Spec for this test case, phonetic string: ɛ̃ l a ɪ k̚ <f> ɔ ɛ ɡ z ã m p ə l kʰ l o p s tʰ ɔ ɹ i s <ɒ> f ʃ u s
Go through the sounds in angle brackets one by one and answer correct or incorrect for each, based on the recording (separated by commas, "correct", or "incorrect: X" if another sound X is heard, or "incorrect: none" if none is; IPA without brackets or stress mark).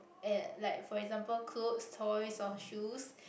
correct, incorrect: ɔ